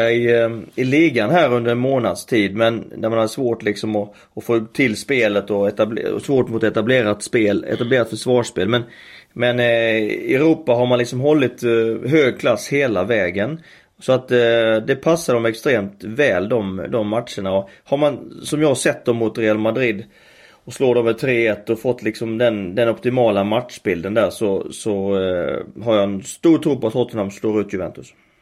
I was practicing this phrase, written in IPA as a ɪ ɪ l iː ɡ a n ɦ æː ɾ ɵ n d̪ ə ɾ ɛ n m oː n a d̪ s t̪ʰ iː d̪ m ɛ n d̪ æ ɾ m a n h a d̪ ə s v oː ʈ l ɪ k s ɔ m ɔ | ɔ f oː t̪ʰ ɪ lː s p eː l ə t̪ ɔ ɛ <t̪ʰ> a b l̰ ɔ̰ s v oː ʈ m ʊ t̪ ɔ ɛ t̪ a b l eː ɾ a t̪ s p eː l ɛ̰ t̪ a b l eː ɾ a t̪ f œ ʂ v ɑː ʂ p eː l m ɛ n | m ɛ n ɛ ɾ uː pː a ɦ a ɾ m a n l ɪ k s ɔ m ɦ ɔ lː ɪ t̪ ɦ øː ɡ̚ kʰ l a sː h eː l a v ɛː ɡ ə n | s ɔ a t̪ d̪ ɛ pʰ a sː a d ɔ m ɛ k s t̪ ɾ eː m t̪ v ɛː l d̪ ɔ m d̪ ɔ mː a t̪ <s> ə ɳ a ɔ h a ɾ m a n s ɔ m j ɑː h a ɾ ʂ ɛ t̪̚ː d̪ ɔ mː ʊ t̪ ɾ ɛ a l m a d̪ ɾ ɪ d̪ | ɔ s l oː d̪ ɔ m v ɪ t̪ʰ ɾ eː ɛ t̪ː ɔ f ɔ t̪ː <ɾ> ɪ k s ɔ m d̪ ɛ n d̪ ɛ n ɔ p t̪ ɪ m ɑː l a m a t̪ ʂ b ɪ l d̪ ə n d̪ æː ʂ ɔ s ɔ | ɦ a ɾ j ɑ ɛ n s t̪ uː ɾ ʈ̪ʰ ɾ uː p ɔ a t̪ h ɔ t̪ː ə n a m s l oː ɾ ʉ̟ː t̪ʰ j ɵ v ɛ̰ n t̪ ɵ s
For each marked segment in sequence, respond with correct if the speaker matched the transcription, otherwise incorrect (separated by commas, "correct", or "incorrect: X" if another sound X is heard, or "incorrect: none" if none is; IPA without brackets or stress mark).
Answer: incorrect: t̪, incorrect: ʂ, incorrect: l